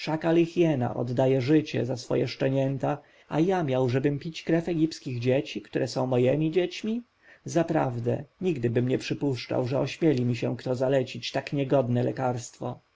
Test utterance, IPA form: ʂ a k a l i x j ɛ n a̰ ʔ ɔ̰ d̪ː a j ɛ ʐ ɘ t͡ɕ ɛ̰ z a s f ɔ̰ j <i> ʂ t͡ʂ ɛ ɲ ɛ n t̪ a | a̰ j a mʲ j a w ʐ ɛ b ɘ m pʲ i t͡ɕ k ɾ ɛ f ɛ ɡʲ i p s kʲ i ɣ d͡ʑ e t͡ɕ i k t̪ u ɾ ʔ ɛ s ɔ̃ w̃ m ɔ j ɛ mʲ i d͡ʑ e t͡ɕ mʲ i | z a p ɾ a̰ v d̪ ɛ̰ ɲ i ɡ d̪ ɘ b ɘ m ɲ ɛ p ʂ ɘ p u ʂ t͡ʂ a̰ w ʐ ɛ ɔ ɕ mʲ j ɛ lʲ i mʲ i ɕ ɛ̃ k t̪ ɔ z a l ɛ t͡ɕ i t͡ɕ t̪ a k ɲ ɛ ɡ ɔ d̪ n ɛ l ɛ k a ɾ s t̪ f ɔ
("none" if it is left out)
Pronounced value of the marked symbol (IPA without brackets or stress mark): ɛ